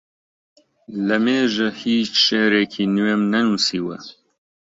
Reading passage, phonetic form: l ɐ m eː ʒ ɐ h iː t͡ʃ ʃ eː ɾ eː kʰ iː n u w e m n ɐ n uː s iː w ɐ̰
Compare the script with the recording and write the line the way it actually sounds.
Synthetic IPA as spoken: l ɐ m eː ʒ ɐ h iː t͡ʃ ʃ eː ɾ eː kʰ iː n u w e m n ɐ n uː s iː w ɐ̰

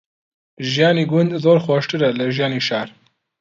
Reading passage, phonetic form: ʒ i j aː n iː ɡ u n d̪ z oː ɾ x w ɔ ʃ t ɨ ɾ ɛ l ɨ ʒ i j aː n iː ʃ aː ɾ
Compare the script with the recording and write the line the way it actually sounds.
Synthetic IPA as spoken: ʒ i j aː n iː ɡ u n d̪ z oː ɾ x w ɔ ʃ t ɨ ɾ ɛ l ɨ ʒ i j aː n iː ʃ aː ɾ

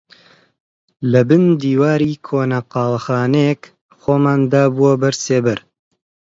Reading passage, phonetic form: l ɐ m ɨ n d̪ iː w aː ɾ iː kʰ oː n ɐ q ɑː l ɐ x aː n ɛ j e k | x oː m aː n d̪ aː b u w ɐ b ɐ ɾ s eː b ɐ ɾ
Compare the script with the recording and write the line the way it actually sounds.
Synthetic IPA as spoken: l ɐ b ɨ n d̪ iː w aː ɾ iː kʰ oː n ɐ q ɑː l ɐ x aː n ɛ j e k | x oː m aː n d̪ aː b u w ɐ b ɐ ɾ s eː b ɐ ɾ

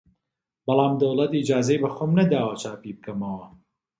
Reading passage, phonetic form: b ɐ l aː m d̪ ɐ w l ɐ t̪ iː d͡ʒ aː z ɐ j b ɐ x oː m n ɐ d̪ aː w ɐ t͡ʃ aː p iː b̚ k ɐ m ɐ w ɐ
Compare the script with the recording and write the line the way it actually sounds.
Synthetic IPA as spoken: b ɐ l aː m d̪ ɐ w l ɐ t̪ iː d͡ʒ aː z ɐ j b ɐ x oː m n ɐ d̪ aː w ɐ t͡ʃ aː p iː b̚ k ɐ m ɐ w ɐ

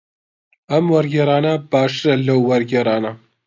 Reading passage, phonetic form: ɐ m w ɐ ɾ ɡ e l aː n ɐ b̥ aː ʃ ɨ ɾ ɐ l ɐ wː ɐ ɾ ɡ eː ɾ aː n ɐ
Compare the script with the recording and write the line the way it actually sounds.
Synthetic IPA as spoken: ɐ m w ɐ ɾ ɡ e ɾ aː n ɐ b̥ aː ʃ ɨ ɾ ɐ l ɐ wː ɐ ɾ ɡ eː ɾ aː n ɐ

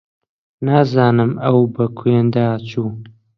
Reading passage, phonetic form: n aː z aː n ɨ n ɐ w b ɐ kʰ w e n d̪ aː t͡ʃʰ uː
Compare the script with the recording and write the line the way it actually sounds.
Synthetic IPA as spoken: n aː z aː n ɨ m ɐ w b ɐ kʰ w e n d̪ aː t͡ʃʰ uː

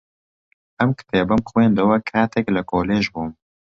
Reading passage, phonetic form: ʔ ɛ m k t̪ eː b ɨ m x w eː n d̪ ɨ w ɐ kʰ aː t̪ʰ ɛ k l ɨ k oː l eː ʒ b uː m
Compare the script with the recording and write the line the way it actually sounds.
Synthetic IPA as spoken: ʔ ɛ m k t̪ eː b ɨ m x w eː n d̪ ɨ w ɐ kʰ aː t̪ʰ ɛ k l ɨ k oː l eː ʒ b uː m

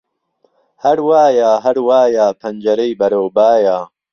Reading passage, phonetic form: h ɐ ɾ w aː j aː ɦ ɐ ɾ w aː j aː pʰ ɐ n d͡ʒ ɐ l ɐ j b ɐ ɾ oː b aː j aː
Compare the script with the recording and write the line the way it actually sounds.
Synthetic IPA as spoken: h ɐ ɾ w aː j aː ɦ ɐ ɾ w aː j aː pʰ ɐ n d͡ʒ ɐ ɾ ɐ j b ɐ ɾ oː b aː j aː

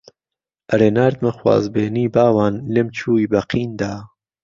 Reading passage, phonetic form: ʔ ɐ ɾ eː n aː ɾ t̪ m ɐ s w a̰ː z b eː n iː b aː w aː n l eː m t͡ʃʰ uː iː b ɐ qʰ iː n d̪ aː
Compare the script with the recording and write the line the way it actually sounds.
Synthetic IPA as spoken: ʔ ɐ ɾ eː n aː ɾ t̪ m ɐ x w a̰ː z b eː n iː b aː w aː n l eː m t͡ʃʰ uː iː b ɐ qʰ iː n d̪ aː

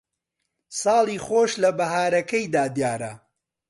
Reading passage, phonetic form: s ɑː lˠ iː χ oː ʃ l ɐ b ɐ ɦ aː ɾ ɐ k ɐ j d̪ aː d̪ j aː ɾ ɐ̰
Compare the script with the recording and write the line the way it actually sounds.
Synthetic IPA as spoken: s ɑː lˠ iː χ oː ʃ l ɐ b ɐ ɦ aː ɾ ɐ k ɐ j d̪ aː d̪ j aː ɾ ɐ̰

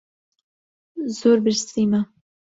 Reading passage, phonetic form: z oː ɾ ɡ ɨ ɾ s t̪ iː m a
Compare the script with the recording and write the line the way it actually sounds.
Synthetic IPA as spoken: z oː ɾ b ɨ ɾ s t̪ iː m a

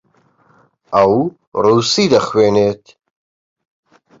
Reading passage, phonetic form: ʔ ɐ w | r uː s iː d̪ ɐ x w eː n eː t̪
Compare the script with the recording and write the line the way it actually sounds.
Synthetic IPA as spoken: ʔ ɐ w | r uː s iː d̪ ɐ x w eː n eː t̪

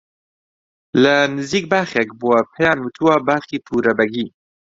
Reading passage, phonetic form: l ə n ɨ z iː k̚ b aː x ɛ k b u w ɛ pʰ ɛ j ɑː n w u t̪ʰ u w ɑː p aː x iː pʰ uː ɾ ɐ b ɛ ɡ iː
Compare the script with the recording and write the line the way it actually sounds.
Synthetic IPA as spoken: l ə n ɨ z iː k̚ b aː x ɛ k b u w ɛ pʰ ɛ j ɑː n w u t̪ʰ u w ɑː b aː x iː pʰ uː ɾ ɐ b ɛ ɡ iː

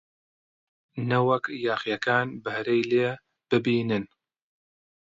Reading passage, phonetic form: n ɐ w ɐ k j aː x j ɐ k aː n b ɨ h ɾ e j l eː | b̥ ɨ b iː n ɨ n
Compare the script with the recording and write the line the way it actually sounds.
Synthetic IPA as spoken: n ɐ w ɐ k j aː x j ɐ k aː n b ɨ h ɾ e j l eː | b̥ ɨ b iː n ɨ n

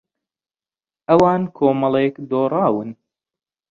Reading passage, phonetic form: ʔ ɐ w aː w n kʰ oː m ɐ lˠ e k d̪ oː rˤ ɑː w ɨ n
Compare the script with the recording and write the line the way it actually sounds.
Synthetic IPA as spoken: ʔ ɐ w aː n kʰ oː m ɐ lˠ e k d̪ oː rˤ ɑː w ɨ n

